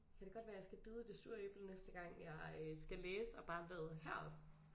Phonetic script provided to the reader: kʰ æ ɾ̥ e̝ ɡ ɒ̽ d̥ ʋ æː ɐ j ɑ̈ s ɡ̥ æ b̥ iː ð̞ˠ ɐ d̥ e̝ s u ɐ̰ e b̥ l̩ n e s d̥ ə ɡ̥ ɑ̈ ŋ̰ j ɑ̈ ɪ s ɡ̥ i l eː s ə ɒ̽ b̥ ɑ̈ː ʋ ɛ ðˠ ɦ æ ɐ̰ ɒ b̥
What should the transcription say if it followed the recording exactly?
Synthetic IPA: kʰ æ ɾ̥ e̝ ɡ ɒ̽ d̥ ʋ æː ɐ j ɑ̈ s ɡ̥ æ b̥ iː ð̞ˠ ə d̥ e̝ s u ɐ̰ e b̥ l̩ n e s d̥ ə ɡ̥ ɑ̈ ŋ̰ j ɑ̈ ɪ s ɡ̥ æ l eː s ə ɒ̽ b̥ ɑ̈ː ʋ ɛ ðˠ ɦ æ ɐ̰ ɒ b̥

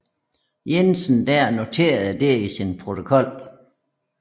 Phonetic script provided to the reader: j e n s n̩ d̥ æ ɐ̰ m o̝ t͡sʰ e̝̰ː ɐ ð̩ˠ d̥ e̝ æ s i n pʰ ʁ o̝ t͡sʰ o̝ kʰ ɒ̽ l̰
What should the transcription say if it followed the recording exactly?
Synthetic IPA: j e n s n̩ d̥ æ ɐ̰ n o̝ t͡sʰ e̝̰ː ɐ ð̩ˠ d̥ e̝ i s i n pʰ ʁ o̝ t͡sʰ o̝ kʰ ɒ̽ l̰

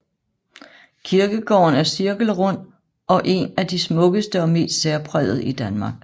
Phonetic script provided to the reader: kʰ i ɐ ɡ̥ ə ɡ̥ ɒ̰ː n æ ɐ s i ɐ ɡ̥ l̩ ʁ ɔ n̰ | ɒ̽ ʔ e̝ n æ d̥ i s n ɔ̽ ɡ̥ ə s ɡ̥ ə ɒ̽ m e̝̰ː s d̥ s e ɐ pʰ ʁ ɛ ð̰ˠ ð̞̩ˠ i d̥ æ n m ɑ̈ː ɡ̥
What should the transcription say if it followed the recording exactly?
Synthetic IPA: kʰ i ɐ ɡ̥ ə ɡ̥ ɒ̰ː n æ ɐ s i ɐ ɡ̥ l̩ ʁ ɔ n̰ | ɒ̽ ʔ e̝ n æ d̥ i s m ɔ̽ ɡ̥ ə s d̥ ə ɒ̽ m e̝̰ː s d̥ s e ɐ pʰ ʁ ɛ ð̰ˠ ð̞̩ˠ i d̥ æ n m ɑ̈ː ɡ̥

